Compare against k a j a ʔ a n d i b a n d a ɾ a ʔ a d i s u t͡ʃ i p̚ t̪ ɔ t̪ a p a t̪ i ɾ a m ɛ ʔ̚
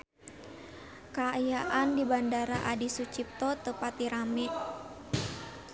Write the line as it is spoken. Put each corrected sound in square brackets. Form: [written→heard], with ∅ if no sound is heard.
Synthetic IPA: k a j a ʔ a n d i b a n d a ɾ a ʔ a d i s u t͡ʃ i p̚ t̪ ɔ t̪ [a→ə] p a t̪ i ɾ a m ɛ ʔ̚